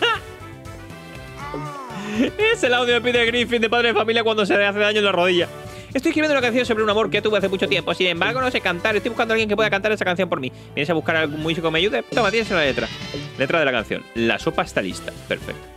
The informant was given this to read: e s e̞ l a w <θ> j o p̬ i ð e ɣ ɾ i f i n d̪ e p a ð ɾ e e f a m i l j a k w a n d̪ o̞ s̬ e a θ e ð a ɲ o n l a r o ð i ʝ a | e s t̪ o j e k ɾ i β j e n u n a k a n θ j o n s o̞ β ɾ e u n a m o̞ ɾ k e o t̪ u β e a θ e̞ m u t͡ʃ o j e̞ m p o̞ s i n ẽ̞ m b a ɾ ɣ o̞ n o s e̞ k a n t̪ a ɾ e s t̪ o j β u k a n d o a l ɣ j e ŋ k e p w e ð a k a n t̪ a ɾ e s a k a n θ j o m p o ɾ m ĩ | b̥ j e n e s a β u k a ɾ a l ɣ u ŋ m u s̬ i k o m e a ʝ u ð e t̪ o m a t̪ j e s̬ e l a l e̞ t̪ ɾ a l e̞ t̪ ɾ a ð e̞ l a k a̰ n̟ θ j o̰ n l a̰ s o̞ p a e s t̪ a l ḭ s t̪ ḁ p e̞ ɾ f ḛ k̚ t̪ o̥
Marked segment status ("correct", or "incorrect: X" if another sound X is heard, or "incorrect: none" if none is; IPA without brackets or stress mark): incorrect: ð